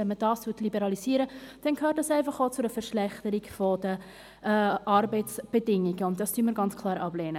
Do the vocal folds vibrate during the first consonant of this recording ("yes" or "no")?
yes